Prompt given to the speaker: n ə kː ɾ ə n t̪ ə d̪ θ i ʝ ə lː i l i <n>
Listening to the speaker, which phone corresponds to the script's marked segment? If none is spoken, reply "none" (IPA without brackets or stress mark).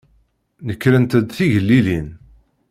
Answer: n